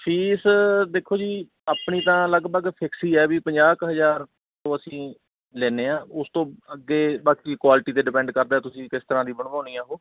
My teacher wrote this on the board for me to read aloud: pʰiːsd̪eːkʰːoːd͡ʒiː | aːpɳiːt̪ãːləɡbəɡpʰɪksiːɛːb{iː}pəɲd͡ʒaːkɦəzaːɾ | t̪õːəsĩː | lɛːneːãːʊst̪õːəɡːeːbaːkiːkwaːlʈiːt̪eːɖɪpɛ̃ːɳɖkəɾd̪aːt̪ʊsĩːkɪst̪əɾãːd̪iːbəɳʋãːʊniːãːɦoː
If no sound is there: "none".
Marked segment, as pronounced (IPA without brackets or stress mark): iː